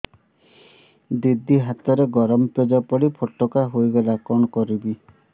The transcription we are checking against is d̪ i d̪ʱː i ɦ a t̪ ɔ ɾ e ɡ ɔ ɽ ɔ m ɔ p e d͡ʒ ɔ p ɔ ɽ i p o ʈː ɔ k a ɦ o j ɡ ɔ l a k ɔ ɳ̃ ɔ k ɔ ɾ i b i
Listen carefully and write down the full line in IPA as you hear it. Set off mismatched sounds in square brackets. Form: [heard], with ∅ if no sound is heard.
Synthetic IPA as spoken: d̪ i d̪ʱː i ɦ a t̪ ɔ ɾ e ɡ ɔ [ɾ] ɔ m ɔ p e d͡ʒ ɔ p ɔ ɽ i [pʰ] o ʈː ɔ k a ɦ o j ɡ ɔ l a k ɔ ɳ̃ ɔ k ɔ ɾ i b i